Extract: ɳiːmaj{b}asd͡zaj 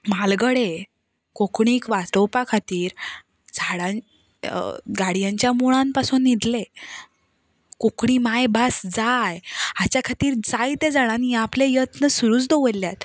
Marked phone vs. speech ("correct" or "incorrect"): correct